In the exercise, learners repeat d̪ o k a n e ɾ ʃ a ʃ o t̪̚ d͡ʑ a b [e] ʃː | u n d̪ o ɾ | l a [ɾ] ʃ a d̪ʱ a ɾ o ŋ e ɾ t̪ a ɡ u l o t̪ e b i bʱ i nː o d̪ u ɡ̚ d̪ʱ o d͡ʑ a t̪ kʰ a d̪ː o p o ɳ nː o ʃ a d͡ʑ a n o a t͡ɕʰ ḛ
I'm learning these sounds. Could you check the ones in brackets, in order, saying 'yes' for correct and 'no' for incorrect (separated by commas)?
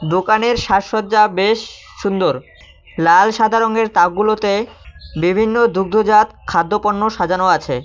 yes, no